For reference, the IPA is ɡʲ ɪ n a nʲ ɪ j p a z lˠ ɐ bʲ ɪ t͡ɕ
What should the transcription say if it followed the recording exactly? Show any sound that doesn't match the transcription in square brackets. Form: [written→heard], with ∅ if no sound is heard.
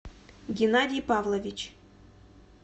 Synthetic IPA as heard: ɡʲ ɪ n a [nʲ→dʲ] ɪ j p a [z→v] lˠ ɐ [bʲ→vʲ] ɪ t͡ɕ